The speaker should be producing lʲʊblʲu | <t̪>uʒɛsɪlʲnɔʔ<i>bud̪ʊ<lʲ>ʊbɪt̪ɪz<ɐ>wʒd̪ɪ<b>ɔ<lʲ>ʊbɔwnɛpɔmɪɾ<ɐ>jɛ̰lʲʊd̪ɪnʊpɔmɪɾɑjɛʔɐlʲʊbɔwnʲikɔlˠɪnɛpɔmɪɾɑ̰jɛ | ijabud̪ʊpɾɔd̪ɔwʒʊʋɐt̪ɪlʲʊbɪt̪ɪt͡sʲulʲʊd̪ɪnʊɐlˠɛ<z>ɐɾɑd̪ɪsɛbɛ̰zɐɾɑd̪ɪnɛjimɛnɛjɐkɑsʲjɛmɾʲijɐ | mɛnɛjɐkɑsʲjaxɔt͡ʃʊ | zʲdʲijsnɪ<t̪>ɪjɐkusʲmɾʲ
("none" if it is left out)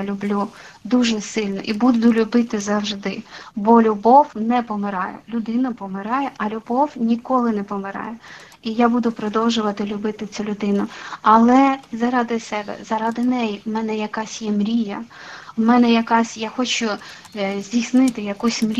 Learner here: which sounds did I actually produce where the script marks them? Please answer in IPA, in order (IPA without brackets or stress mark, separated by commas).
d̪, i, lʲ, ɐ, b, lʲ, ɑ, z, t̪